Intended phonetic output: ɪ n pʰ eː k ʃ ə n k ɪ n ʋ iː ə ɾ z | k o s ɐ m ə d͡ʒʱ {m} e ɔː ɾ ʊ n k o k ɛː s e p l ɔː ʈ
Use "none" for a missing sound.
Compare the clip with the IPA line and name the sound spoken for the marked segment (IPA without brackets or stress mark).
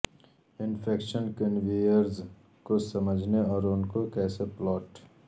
n